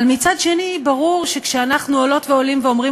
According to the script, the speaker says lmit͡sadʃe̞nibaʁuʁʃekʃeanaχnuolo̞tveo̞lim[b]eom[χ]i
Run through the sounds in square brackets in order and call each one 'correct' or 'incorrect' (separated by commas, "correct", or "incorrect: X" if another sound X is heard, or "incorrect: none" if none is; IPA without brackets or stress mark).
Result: incorrect: v, incorrect: ʁ